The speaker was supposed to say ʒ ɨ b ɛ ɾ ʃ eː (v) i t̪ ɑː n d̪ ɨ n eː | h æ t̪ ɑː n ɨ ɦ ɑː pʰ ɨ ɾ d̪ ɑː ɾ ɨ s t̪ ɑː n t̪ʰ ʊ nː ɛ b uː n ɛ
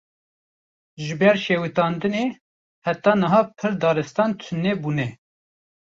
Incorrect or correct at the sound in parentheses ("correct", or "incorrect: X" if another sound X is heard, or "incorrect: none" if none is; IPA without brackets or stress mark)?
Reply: incorrect: w